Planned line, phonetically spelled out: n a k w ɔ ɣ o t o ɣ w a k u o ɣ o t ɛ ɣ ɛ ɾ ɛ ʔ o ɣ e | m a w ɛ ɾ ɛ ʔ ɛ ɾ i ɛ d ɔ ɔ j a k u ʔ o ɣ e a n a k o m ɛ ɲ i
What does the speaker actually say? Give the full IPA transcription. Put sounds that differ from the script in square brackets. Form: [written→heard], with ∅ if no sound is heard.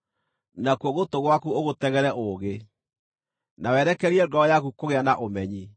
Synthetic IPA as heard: n a k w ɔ ɣ o t o ɣ w a k u o ɣ o t ɛ ɣ ɛ ɾ ɛ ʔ o ɣ e | [m→n] a w ɛ ɾ ɛ [ʔ→k] ɛ ɾ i ɛ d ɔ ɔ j a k u [ʔ→k] o ɣ e a n a [k→ʔ] o m ɛ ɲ i